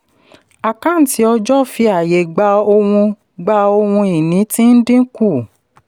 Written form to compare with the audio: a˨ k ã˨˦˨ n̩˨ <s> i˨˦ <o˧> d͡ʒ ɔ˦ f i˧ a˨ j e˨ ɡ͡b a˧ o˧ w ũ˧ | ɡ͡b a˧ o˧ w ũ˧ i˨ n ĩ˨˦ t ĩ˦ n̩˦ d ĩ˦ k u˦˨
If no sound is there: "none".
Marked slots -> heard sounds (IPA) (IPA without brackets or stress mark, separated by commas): t, ɔ˧